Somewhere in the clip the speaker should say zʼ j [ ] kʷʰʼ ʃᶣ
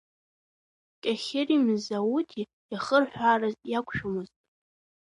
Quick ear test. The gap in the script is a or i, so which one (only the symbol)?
a